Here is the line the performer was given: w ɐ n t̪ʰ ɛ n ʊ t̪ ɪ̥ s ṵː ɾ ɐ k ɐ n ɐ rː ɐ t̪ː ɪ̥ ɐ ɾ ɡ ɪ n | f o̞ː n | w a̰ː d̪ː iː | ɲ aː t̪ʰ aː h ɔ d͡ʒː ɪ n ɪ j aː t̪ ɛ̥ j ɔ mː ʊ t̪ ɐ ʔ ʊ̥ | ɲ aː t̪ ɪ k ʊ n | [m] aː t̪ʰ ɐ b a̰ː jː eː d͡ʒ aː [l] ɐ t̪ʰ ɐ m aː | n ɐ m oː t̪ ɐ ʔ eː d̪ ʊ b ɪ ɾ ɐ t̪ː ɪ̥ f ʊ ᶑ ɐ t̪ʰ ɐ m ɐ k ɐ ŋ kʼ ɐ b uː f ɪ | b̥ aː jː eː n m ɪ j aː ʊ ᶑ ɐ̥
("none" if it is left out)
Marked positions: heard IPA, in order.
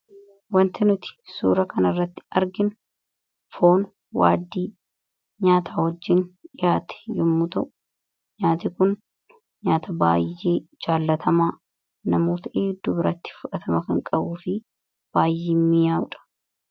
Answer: ɲ, lː

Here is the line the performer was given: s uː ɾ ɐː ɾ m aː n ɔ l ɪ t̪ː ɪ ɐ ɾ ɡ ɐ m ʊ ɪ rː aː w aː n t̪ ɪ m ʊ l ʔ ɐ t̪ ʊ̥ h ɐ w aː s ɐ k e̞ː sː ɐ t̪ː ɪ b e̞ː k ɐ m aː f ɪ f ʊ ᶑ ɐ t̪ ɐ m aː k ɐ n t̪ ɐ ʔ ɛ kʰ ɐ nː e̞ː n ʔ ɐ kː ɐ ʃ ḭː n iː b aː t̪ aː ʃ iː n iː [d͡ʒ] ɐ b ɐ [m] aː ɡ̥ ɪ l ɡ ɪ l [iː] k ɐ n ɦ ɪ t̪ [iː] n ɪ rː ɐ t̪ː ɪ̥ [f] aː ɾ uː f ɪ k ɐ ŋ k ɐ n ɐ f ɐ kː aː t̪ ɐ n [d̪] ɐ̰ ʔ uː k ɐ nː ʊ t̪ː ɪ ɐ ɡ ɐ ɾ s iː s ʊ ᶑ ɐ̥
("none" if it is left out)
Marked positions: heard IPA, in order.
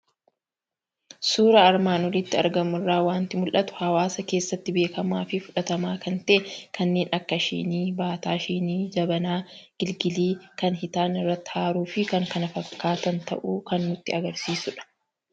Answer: d͡ʒ, n, iː, aː, h, t̪

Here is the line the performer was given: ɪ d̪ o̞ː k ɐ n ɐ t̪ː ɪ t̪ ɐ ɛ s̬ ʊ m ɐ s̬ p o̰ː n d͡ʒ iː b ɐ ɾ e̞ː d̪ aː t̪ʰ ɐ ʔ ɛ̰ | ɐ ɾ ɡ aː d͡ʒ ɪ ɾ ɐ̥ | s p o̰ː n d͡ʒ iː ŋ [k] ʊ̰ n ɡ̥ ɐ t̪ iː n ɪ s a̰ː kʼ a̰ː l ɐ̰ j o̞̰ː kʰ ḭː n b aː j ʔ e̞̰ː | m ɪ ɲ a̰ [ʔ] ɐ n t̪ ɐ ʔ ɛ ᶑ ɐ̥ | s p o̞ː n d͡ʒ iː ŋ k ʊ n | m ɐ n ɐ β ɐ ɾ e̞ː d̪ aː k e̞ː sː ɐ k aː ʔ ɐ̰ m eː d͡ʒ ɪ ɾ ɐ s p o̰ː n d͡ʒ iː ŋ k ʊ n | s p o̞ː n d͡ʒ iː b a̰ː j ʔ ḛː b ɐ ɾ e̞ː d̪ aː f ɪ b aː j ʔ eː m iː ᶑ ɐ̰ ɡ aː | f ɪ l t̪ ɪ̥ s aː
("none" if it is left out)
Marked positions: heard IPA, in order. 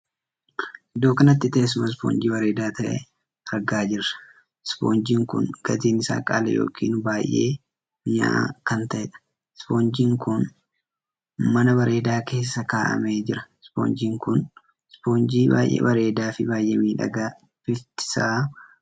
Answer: k, k

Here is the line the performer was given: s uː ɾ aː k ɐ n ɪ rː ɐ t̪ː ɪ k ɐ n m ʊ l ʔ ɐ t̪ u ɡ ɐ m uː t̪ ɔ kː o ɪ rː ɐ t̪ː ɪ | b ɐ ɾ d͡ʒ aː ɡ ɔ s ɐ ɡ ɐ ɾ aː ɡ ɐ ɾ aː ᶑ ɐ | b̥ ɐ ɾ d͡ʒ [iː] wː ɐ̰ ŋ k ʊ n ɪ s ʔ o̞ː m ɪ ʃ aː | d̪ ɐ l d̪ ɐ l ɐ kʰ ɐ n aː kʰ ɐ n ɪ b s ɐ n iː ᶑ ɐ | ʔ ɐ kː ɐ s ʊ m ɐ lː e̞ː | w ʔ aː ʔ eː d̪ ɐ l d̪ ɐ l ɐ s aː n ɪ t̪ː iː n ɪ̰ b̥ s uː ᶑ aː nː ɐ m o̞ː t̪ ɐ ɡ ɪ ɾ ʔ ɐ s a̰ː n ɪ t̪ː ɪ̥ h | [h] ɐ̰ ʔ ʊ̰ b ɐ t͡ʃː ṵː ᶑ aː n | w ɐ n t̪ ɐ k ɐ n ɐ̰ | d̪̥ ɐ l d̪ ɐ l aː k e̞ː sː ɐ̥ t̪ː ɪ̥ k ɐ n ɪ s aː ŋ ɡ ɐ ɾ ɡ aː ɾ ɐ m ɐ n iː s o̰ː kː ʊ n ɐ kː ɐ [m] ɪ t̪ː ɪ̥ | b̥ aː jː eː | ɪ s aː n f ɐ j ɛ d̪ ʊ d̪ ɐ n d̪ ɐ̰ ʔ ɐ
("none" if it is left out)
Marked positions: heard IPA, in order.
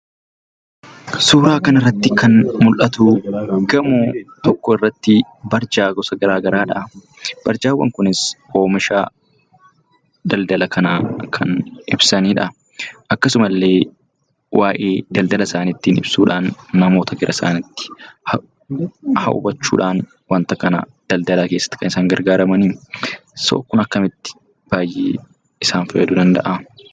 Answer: aː, h, m

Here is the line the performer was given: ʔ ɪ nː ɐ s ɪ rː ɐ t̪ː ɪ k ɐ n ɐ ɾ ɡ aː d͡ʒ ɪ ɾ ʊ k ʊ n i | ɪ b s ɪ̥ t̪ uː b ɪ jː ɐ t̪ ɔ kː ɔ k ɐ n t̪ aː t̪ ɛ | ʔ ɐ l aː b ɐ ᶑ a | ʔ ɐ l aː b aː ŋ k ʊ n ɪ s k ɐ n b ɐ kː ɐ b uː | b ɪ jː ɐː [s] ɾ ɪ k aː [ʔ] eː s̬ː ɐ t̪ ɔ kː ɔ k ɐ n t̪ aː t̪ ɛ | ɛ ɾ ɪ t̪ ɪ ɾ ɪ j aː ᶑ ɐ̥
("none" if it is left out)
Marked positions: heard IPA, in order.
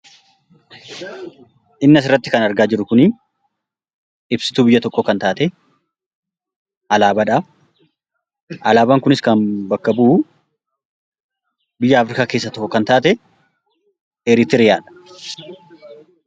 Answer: f, k

